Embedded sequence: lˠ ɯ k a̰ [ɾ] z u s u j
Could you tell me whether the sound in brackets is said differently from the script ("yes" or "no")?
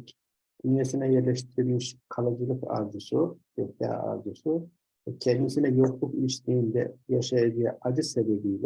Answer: no